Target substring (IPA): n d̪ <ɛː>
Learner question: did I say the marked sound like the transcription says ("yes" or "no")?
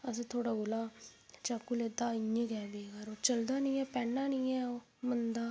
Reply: no